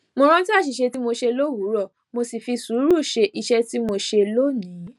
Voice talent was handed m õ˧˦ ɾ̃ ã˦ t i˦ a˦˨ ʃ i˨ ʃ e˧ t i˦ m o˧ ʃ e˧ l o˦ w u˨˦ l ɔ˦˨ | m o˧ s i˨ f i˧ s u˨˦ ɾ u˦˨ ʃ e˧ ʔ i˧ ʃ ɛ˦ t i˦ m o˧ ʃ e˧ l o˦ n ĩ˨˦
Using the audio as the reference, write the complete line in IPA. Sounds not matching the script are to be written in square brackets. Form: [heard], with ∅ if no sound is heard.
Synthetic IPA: m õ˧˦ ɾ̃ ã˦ t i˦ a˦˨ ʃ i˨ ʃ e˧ t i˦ m o˧ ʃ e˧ l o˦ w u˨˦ [ɾ] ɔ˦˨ | m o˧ s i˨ f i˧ s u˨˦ ɾ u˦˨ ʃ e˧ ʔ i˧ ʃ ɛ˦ t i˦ m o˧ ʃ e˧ l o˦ n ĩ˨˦